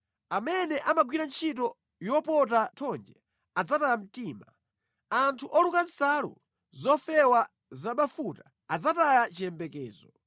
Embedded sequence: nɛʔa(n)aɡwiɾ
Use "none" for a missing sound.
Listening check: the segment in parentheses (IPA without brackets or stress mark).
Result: m